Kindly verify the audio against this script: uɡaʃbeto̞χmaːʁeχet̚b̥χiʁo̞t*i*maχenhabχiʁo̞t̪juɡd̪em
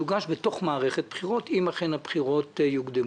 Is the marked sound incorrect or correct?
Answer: correct